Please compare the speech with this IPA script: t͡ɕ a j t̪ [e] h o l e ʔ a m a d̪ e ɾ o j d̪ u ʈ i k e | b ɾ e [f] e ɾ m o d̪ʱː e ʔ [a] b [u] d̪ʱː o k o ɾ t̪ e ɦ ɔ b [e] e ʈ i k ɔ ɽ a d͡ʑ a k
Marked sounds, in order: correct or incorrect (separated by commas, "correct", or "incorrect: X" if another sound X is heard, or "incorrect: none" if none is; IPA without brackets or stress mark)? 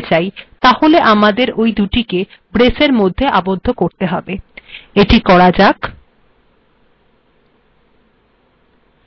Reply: incorrect: a, incorrect: s, correct, incorrect: o, correct